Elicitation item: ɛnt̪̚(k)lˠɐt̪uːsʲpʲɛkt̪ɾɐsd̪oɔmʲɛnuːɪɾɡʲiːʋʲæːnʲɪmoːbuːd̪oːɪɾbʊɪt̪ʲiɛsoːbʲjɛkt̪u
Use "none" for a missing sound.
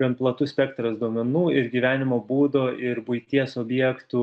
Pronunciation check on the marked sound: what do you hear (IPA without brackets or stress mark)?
p